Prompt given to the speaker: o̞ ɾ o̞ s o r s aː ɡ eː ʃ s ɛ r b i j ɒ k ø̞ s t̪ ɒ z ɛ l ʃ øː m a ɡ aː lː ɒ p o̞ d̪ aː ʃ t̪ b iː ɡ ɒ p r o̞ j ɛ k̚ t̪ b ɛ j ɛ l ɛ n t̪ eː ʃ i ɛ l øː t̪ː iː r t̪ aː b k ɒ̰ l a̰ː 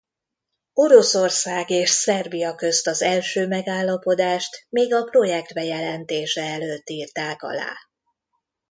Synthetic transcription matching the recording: o̞ ɾ o̞ s o r s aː ɡ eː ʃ s ɛ r b i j ɒ k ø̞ s t̪ ɒ z ɛ l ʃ øː m ɛ ɡ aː lː ɒ p o̞ d̪ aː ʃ t̪ m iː ɡ ɒ p r o̞ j ɛ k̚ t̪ b ɛ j ɛ l ɛ n t̪ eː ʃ ɛ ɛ l øː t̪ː iː r t̪ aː k ɒ̰ l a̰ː